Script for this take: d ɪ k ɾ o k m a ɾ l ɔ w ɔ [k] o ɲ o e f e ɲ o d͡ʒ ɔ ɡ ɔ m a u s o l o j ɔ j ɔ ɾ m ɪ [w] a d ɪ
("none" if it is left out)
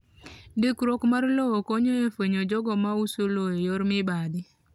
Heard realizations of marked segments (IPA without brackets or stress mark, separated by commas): k, b